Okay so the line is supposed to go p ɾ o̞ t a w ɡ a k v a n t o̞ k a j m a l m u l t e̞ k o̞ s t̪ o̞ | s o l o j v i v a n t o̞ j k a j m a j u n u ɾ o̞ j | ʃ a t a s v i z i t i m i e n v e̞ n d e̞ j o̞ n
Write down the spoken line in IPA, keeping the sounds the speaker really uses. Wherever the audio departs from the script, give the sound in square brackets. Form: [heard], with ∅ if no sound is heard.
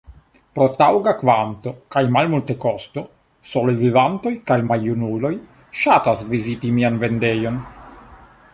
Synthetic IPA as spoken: p ɾ o̞ t a w ɡ a k v a n t o̞ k a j m a l m u l t e̞ k o̞ s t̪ o̞ | s o l o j v i v a n t o̞ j k a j m a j u n u [l] o̞ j | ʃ a t a s v i z i t i m i [a] n v e̞ n d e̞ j o̞ n